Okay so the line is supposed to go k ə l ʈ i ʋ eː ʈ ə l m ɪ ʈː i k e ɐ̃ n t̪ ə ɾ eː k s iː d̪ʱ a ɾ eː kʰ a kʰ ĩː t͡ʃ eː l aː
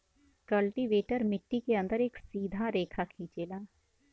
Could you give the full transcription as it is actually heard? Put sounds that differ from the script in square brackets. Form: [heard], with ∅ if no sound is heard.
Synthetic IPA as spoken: k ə l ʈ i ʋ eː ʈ ə [ɾ] m ɪ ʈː i k e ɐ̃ n [d̪] ə ɾ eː k s iː d̪ʱ a ɾ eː kʰ a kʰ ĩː t͡ʃ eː l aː